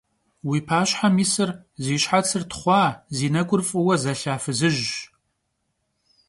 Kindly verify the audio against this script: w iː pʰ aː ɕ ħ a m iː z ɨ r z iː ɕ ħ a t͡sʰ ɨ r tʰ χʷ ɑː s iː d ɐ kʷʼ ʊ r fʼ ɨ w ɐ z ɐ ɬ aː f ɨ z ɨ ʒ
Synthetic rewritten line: w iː pʰ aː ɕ ħ a m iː s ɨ r z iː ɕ ħ a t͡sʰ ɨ r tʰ χʷ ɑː z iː n ɐ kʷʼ ʊ r fʼ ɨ w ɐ z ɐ ɬ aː f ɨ z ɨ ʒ